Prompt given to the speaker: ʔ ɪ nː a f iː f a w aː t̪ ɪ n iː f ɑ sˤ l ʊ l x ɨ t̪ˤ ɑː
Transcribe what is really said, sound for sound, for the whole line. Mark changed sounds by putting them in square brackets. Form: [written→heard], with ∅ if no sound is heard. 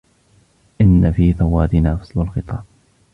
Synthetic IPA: ʔ ɪ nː a f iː [f→θ] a w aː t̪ ɪ n [iː→aː] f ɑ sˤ l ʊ l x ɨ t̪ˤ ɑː